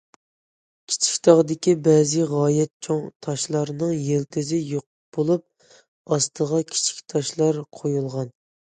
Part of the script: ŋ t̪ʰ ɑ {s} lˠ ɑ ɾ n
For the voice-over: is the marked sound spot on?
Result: no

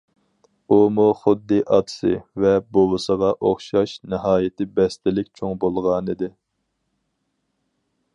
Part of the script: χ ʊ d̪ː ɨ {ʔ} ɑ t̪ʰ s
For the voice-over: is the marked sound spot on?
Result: yes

